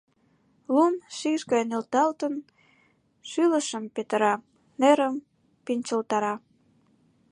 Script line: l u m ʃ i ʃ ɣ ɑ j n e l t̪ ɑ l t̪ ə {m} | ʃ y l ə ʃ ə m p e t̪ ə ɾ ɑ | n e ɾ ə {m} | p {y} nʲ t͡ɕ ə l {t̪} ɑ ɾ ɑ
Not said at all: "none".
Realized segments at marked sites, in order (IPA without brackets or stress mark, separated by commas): n, m, i, t̪